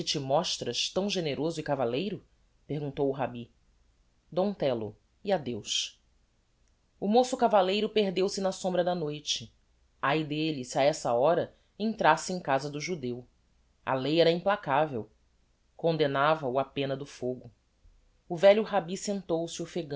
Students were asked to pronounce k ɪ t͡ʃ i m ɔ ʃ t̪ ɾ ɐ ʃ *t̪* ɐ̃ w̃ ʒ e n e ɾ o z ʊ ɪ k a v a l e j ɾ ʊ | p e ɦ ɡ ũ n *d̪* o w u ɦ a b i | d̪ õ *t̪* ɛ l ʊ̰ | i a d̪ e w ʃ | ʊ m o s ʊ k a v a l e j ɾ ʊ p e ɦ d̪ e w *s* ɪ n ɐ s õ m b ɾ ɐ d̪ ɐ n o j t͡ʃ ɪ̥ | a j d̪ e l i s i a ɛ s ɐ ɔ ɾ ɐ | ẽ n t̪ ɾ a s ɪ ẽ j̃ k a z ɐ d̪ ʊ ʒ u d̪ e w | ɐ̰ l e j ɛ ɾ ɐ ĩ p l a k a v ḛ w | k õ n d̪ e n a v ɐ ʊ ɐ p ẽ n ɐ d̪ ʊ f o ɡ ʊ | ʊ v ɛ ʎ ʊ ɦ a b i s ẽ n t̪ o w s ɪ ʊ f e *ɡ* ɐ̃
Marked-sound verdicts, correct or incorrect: correct, incorrect: t̪, correct, correct, correct

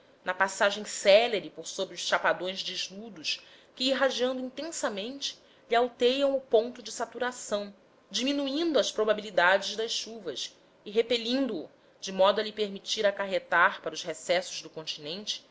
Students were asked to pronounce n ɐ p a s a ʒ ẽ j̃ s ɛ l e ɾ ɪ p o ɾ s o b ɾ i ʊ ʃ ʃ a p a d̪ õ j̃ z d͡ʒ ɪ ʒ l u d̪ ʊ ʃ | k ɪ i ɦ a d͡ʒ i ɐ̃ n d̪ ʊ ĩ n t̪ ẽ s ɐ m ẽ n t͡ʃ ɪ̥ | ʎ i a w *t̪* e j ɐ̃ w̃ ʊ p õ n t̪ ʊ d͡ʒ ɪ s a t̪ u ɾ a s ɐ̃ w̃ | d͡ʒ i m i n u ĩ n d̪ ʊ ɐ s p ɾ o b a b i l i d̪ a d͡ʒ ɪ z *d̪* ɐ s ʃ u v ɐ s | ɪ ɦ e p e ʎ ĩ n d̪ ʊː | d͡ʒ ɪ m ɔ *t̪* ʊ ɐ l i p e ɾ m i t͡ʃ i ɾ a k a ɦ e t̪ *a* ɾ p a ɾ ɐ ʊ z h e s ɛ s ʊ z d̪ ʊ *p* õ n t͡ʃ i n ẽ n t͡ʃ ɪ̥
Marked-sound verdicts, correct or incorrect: correct, correct, incorrect: d̪, correct, incorrect: k

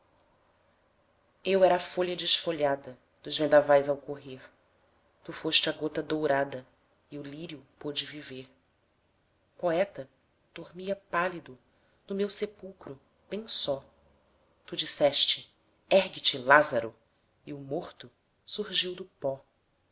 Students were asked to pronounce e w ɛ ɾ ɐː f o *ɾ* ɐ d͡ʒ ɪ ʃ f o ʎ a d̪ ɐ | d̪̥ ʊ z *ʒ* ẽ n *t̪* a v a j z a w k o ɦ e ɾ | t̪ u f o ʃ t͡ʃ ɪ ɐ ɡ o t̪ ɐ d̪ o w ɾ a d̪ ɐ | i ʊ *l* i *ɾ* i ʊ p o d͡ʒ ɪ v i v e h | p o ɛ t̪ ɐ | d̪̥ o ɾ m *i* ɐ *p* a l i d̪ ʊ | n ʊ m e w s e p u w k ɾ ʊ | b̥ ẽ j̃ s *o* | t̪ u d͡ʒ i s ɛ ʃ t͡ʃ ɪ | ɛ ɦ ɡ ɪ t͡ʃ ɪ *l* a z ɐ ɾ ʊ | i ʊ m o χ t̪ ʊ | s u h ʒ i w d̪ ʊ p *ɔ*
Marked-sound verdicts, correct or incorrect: incorrect: ʎ, incorrect: v, incorrect: d̪, correct, correct, correct, correct, incorrect: ɔ, correct, correct

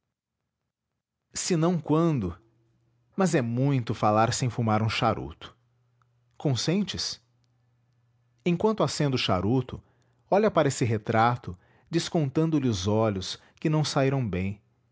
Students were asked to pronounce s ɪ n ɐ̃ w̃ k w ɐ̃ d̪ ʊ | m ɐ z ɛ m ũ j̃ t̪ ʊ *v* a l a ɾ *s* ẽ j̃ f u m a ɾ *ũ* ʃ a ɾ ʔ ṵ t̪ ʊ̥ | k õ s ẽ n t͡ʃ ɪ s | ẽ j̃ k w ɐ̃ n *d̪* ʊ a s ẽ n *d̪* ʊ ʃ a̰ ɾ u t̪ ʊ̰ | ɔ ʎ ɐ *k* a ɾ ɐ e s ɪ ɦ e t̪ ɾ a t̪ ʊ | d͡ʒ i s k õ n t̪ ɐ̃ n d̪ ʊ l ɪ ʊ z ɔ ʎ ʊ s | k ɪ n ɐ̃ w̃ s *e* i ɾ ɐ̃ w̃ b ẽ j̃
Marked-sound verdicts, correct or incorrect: incorrect: f, correct, correct, incorrect: t̪, correct, incorrect: p, incorrect: a

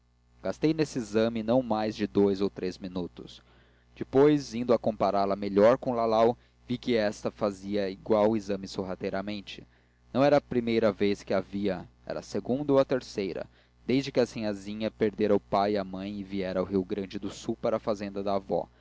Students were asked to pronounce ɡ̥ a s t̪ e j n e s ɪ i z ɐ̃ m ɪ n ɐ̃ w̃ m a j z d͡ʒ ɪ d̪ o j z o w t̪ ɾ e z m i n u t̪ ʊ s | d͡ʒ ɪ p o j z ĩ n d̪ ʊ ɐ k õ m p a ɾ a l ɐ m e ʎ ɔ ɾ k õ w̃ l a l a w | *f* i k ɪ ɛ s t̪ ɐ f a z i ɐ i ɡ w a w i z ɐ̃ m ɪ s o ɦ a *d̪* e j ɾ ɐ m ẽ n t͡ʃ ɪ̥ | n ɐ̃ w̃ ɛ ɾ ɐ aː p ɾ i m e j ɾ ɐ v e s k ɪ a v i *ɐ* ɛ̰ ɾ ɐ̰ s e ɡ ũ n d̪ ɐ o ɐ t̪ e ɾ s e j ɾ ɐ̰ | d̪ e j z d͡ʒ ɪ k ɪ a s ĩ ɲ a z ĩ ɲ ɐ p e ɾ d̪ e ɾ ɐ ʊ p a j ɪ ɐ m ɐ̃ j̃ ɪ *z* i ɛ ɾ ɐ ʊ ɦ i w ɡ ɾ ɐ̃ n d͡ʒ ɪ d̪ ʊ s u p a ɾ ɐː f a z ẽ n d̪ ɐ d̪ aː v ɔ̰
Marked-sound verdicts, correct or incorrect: incorrect: v, incorrect: t̪, correct, incorrect: v

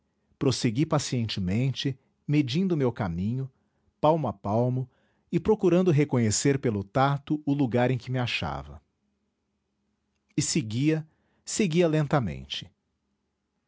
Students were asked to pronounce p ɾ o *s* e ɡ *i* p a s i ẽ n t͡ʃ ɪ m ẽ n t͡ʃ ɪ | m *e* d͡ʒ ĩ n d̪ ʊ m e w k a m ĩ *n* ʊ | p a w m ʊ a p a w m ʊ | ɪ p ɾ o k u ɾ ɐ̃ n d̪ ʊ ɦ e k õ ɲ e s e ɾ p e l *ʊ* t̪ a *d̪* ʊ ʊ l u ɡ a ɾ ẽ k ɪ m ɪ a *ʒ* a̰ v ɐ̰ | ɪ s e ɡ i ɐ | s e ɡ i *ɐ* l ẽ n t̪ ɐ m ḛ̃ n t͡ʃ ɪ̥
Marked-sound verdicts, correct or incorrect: correct, correct, correct, incorrect: ɲ, correct, incorrect: t̪, incorrect: ʃ, correct

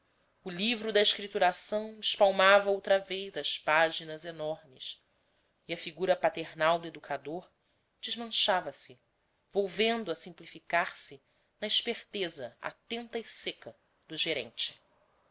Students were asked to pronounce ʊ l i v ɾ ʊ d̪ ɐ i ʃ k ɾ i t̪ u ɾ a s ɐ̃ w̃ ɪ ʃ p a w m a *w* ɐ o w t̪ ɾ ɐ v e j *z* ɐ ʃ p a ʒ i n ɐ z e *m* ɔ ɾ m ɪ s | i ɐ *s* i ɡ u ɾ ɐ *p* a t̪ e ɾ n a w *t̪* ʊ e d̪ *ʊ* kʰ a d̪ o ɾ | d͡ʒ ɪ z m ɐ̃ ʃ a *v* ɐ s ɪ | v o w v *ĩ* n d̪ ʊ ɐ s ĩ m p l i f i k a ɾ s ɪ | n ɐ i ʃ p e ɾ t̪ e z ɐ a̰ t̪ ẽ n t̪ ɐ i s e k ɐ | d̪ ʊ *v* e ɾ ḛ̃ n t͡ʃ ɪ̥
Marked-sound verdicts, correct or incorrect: incorrect: v, correct, incorrect: n, incorrect: f, correct, incorrect: d̪, incorrect: u, correct, incorrect: ẽ, incorrect: ʒ

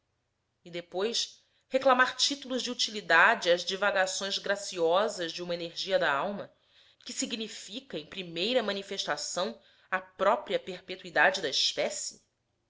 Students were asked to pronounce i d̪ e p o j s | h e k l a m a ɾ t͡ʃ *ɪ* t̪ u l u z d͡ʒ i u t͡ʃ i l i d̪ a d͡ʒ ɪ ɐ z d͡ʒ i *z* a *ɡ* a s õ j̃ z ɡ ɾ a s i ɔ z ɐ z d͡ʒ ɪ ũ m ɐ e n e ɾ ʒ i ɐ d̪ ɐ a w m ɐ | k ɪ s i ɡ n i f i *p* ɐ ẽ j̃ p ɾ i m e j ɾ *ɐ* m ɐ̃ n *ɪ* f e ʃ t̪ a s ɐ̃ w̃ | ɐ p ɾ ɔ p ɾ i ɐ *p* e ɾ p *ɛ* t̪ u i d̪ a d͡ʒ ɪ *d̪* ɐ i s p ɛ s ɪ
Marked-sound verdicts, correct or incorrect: incorrect: i, incorrect: v, correct, incorrect: k, correct, incorrect: i, correct, incorrect: e, correct

